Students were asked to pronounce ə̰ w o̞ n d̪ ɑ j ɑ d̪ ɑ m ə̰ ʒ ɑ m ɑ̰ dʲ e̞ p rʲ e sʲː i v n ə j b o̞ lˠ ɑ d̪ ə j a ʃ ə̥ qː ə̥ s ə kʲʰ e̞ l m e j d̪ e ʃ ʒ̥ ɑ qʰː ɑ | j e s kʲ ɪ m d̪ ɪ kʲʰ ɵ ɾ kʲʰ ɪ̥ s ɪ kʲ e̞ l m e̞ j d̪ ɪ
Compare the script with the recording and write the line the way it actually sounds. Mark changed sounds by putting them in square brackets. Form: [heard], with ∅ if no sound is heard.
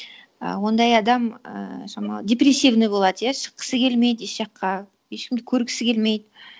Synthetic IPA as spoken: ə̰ w o̞ n d̪ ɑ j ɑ d̪ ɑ m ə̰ ʒ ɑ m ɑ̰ dʲ e̞ p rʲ e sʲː i v n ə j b o̞ lˠ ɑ d̪ ə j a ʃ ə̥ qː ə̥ s ə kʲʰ e̞ l m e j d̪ e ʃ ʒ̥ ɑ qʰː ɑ | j e [ʃ] kʲ ɪ m d̪ ɪ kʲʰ ɵ ɾ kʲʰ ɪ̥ s ɪ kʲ e̞ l m e̞ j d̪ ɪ

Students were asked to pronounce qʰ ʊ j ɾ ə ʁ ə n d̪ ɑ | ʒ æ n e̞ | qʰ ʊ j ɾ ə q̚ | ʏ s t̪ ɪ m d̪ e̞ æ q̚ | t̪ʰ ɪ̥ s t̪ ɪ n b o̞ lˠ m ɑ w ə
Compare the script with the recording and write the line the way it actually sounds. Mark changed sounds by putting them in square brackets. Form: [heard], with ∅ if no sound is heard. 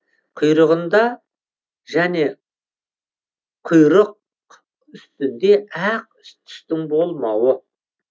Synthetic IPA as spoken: qʰ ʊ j ɾ ə ʁ ə n d̪ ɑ | ʒ æ n e̞ | qʰ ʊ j ɾ ə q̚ | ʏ s t̪ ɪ [n] d̪ e̞ æ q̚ | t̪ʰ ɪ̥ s t̪ ɪ [ŋ] b o̞ lˠ m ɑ w ə

